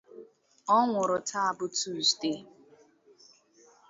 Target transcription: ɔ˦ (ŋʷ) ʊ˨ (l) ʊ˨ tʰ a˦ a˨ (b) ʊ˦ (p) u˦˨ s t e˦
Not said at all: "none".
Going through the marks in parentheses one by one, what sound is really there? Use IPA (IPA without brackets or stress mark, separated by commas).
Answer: ŋʷ, ɾ, b, t